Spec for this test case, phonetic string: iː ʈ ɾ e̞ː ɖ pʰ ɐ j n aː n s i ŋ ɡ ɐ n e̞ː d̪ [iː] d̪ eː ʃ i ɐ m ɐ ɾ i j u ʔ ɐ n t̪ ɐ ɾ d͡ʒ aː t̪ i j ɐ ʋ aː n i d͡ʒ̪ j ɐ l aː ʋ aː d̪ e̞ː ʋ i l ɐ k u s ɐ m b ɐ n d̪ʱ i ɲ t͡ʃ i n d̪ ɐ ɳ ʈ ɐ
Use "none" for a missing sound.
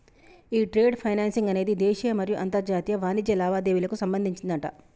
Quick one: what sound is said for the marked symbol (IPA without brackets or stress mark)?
i